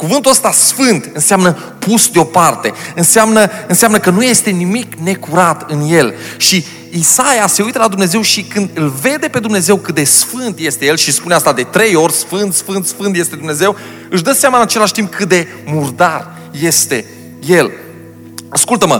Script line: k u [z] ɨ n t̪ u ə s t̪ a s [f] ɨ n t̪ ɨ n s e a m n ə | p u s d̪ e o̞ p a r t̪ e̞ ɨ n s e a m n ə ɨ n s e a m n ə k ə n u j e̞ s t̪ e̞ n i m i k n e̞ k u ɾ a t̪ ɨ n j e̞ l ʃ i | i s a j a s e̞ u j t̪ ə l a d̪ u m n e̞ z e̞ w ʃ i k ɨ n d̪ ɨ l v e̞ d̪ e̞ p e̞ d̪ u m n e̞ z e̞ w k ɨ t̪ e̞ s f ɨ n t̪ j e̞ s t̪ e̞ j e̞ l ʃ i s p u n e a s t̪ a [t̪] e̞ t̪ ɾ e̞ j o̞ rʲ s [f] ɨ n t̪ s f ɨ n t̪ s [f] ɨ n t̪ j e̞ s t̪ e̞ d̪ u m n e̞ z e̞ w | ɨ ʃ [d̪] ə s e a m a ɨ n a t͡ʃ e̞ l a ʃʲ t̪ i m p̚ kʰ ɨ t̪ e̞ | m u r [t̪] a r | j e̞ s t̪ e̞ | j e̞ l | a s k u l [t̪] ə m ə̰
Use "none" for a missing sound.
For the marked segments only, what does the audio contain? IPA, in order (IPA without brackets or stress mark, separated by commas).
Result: v, f, d̪, f, f, d̪, d̪, t̪